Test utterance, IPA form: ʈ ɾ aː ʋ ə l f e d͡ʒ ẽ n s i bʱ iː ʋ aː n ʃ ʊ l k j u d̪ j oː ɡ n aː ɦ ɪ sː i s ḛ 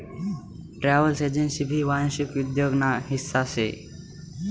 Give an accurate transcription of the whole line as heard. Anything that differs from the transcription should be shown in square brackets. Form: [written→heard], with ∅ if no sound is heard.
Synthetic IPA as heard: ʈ ɾ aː ʋ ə l [f→s] e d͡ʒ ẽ n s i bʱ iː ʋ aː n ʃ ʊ [l→∅] k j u d̪ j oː ɡ n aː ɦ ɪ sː [i→a] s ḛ

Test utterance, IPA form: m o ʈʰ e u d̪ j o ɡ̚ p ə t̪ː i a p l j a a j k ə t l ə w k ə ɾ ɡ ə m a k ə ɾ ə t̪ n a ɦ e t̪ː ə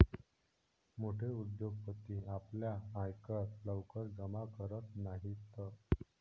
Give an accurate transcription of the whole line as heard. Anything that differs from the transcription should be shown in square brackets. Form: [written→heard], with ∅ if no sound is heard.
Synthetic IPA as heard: m o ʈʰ e u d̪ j o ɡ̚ p ə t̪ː i a p l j a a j k ə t l ə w k ə ɾ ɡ ə m a k ə ɾ ə t̪ n a ɦ [e→i] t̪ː ə

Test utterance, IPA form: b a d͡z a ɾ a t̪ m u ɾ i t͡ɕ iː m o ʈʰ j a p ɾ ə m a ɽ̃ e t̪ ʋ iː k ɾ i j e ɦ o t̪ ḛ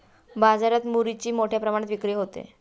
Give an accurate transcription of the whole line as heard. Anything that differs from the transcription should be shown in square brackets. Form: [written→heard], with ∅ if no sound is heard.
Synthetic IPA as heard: b a d͡z a ɾ a t̪ m u ɾ i t͡ɕ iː m o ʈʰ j a p ɾ ə m a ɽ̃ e t̪ ʋ [iː→i] k ɾ i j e ɦ o t̪ ḛ

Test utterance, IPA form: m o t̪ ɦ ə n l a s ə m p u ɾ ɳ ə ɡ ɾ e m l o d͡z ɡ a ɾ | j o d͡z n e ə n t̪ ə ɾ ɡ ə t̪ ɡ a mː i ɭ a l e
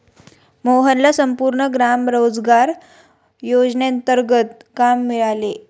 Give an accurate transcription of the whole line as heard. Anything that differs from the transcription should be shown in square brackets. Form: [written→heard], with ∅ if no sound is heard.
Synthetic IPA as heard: m o [t̪→∅] ɦ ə n l a s ə m p u ɾ ɳ ə ɡ ɾ [e→a] m [l→ɾ] o d͡z ɡ a ɾ | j o d͡z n e ə n t̪ ə ɾ ɡ ə t̪ [ɡ→k] a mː i ɭ a l e

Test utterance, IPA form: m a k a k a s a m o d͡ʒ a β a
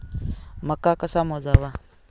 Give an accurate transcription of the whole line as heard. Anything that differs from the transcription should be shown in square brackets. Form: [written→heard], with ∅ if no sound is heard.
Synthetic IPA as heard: m a k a k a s a m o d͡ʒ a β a

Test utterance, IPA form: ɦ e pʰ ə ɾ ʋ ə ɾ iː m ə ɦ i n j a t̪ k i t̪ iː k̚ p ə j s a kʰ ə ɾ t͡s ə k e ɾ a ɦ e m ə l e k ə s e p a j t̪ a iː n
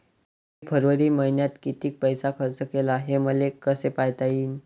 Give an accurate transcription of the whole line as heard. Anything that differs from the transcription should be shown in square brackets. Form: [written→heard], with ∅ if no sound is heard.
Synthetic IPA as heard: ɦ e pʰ ə ɾ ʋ ə ɾ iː m ə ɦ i n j a t̪ k i t̪ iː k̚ p ə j s a kʰ ə ɾ t͡s ə k e [ɾ→l] a ɦ e m ə l e k ə s e p a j t̪ a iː n

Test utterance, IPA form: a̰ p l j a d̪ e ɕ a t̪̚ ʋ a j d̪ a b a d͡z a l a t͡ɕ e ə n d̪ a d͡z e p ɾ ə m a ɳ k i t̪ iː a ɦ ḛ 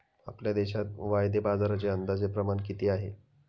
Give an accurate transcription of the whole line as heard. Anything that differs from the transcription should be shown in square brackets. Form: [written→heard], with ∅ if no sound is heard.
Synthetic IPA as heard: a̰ p l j a d̪ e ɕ a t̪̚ ʋ a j d̪ [a→e] b a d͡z a [l→ɾ] a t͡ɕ e ə n d̪ a d͡z e p ɾ ə m a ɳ k i t̪ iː a ɦ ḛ

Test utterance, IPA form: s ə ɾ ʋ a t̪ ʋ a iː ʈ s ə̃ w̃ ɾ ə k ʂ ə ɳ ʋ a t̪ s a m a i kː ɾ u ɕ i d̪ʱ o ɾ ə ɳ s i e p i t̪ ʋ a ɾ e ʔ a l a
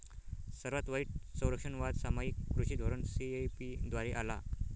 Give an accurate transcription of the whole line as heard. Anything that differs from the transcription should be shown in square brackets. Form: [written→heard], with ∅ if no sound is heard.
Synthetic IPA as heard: s ə ɾ ʋ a t̪ ʋ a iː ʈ s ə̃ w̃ ɾ ə k ʂ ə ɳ ʋ a [t̪→d̪] s a m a i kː ɾ u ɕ i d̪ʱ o ɾ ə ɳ s i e p i [t̪→d̪] ʋ a ɾ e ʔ a l a

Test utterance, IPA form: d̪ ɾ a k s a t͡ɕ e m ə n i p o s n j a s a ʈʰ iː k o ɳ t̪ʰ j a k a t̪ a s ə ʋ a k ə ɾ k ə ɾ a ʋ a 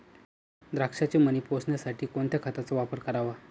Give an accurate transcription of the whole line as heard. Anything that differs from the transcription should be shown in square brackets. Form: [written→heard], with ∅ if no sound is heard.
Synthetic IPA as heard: d̪ ɾ a k [s→ʂ] a t͡ɕ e m ə n i p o s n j a s a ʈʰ iː k o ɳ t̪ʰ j a [k→kʰ] a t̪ a [s→t͡s] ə ʋ a [k→p] ə ɾ k ə ɾ a ʋ a

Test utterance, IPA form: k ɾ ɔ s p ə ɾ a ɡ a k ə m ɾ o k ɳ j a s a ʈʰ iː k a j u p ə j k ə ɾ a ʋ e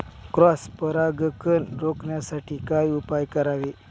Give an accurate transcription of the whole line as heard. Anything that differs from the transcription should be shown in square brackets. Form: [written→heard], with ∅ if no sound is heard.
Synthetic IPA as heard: k ɾ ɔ s p ə ɾ a ɡ [a→ə] k ə [m→n] ɾ o k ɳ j a s a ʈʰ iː k a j u p [ə→a] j k ə ɾ a ʋ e

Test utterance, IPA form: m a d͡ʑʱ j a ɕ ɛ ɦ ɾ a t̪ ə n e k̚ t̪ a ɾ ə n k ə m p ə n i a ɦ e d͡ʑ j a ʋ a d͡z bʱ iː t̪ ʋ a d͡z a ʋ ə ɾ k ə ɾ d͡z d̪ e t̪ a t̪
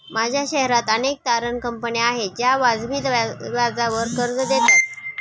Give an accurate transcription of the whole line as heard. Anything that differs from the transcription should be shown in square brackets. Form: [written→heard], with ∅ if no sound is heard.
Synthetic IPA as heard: m a d͡ʑʱ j a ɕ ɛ ɦ ɾ a t̪ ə n e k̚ t̪ a ɾ ə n k ə m p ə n i a ɦ e d͡ʑ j a ʋ a d͡z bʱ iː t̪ ʋ a d͡z a ʋ ə ɾ k ə ɾ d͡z d̪ e t̪ a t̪

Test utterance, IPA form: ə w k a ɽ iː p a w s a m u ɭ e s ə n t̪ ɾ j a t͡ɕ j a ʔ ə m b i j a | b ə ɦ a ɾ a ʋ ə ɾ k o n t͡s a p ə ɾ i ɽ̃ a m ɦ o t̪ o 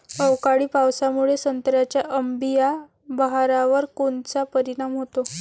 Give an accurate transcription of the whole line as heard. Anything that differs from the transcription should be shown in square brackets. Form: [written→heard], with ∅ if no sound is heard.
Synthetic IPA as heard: ə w k a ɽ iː p a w s a m u ɭ e s ə n t̪ ɾ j a t͡ɕ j a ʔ ə m b i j a | b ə ɦ a ɾ a ʋ ə ɾ k o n t͡s a p ə ɾ i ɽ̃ a m ɦ o t̪ o

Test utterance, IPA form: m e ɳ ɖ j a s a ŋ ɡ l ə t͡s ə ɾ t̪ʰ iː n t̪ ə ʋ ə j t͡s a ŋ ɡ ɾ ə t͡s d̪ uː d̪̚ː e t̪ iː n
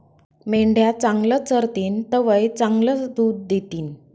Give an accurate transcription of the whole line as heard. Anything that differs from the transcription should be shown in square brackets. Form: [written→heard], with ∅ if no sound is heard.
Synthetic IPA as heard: m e ɳ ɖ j a [s→t͡s] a ŋ ɡ l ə t͡s ə ɾ [t̪ʰ→t̪] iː n t̪ ə ʋ ə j t͡s a ŋ ɡ [ɾ→l] ə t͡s d̪ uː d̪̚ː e t̪ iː n

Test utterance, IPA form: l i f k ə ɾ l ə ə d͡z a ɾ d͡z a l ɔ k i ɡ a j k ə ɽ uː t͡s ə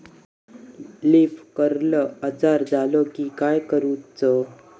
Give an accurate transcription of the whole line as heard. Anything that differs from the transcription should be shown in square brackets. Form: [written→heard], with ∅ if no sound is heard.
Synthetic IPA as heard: l i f k ə ɾ l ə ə d͡z a ɾ d͡z a l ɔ k i [ɡ→k] a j k ə [ɽ→ɾ] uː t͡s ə

